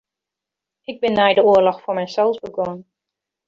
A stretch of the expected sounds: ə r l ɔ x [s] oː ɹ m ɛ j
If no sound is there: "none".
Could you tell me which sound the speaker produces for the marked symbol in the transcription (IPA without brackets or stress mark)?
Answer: f